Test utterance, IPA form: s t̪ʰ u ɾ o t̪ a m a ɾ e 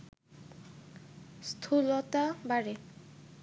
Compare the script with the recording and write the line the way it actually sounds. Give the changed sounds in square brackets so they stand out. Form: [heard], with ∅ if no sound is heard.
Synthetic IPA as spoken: s t̪ʰ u [l] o t̪ a [b] a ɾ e